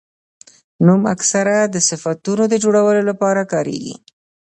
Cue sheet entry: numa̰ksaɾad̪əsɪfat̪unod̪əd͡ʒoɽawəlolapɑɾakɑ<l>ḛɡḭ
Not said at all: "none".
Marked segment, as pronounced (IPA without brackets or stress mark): ɾ